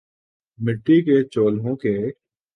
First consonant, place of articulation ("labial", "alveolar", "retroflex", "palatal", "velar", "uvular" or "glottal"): labial